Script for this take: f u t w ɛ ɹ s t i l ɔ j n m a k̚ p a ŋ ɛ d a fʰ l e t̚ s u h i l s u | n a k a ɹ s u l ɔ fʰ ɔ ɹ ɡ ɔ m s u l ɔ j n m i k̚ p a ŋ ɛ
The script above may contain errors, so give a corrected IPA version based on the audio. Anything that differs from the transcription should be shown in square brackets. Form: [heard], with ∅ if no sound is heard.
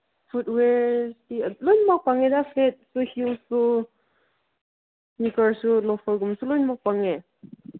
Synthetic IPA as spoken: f u t w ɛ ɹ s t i l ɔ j n m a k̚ p a ŋ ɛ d a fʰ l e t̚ s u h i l s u | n [i] k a ɹ s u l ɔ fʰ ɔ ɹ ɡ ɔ m s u l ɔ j n m [a] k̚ p a ŋ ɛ